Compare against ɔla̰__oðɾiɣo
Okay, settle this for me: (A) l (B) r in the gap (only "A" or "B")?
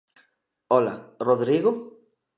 B